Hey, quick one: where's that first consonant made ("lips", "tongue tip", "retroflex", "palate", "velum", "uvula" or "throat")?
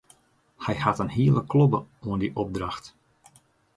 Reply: throat